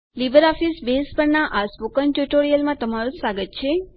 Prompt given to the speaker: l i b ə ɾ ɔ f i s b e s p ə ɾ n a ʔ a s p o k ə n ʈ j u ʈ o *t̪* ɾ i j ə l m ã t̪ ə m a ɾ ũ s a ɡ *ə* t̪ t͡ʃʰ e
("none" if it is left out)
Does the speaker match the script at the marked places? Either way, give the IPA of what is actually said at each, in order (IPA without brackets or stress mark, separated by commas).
none, ə